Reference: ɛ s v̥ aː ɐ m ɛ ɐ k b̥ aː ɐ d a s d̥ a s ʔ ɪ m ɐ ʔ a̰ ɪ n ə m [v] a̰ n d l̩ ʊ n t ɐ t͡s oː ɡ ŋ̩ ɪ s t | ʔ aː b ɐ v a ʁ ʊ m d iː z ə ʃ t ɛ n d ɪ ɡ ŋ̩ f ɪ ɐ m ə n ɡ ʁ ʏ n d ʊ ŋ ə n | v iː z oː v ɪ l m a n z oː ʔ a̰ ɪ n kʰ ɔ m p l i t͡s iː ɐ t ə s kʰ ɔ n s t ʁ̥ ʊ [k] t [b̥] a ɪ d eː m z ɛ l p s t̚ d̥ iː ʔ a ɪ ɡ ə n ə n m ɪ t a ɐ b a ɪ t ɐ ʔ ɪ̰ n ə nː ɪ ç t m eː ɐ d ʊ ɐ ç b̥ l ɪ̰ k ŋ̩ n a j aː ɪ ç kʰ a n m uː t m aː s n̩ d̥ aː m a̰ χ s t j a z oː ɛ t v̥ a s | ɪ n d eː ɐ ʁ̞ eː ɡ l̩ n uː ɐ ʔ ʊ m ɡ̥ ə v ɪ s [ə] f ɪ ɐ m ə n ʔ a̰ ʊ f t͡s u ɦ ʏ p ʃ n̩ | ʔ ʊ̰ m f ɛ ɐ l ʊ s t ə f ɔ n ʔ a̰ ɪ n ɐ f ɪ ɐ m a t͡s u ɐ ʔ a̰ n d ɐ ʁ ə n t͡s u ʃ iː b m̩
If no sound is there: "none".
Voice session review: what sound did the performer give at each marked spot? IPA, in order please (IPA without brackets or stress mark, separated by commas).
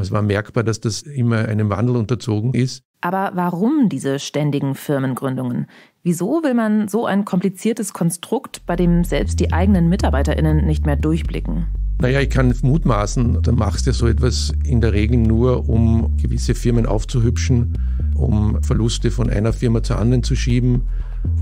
v, k, b̥, ə